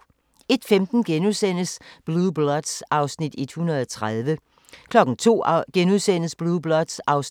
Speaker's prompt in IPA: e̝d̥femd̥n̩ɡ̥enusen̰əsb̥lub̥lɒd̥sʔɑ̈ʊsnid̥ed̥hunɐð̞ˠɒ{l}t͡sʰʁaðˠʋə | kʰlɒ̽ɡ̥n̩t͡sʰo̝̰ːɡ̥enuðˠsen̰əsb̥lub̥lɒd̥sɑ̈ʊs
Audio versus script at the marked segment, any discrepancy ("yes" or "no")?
yes